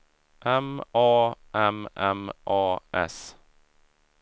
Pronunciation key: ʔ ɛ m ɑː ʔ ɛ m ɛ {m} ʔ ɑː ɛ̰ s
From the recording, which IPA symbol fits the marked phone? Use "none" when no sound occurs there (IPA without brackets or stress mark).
m